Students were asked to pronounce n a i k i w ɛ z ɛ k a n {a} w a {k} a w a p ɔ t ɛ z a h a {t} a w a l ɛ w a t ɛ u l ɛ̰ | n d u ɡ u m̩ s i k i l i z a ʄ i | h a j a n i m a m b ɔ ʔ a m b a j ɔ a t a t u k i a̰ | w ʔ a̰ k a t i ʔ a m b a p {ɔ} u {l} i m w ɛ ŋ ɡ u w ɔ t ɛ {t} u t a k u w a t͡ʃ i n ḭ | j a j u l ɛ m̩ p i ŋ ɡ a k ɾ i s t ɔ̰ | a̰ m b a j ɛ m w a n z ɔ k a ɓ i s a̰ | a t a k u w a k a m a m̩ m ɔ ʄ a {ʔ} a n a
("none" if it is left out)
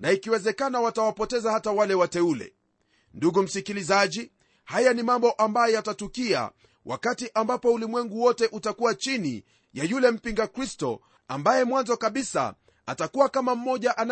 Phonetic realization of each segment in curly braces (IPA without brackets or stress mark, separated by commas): a, t, t, ɔ, l, ʔ, ʔ